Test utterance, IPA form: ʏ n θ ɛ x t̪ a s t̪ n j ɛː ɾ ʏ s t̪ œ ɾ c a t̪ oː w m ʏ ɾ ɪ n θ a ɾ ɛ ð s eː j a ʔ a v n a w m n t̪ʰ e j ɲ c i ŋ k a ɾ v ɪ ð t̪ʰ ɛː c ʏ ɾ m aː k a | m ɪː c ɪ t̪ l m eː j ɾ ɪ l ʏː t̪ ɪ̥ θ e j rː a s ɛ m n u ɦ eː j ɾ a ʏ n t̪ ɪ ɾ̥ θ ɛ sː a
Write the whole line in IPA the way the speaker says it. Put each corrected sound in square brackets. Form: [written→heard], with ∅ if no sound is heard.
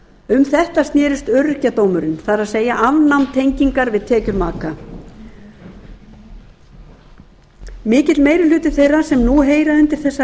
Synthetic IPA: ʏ [n→m] θ ɛ [x→h] t̪ a s t̪ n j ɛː ɾ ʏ s t̪ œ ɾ c a t̪ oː w m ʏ ɾ ɪ n θ a ɾ [ɛ→a] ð s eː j a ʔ a v n a w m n t̪ʰ e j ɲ c i ŋ k a ɾ v ɪ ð t̪ʰ ɛː c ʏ ɾ m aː k a | m ɪː c ɪ t̪ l m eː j ɾ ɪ l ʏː t̪ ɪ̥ θ e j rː a s ɛ m n u ɦ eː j ɾ a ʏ n t̪ ɪ ɾ̥ θ ɛ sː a